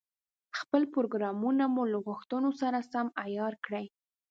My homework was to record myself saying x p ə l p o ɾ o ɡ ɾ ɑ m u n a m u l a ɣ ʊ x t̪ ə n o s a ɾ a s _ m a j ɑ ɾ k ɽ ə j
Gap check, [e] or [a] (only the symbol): a